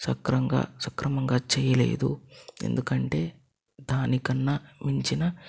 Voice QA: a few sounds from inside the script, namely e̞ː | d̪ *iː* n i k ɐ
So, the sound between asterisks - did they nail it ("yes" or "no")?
no